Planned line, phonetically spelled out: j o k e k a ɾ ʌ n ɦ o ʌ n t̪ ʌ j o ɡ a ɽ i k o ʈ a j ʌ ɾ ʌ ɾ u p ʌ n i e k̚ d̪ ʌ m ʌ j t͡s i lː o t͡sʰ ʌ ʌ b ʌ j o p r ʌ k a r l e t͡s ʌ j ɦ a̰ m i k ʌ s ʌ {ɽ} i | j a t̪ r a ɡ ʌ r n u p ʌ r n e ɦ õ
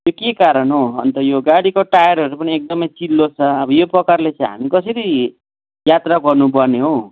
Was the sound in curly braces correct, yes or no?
no